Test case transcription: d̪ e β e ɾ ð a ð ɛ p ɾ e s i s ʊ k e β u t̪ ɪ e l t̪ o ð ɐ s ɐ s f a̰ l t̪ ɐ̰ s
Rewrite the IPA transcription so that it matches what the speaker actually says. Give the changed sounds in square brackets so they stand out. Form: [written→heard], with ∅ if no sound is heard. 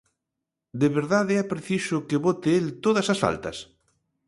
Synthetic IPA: d̪ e β e ɾ ð a ð ɛ p ɾ e [s→θ] i s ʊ k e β [u→o] t̪ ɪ e l t̪ o ð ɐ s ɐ s f a̰ l t̪ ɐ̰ s